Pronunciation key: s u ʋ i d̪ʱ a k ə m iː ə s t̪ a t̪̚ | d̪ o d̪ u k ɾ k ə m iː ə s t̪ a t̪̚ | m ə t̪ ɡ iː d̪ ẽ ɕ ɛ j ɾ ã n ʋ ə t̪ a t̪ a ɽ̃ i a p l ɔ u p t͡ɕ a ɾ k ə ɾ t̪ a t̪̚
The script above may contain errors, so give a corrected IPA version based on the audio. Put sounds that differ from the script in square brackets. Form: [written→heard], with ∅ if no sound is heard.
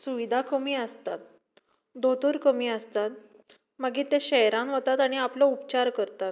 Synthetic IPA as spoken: s u ʋ i d̪ʱ a k ə m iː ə s t̪ a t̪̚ | d̪ o [d̪→t̪] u [k→∅] ɾ k ə m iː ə s t̪ a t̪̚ | m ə [t̪→∅] ɡ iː [d̪→t̪] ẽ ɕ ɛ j ɾ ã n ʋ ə t̪ a t̪ a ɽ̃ i a p l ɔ u p t͡ɕ a ɾ k ə ɾ t̪ a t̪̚